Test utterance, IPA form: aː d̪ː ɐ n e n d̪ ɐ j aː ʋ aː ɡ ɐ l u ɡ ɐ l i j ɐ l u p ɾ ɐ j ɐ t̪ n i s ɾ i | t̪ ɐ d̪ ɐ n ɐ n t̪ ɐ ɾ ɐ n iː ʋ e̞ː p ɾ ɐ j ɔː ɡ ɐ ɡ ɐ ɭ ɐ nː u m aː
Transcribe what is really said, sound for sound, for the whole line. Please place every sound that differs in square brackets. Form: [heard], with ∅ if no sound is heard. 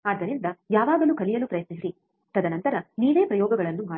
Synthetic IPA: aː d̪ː ɐ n [i] n d̪ ɐ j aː ʋ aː ɡ ɐ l u [k] ɐ l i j ɐ l u p ɾ ɐ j ɐ t̪ n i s ɾ i | t̪ ɐ d̪ ɐ n ɐ n t̪ ɐ ɾ ɐ n iː ʋ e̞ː p ɾ ɐ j ɔː ɡ ɐ ɡ ɐ ɭ ɐ nː u m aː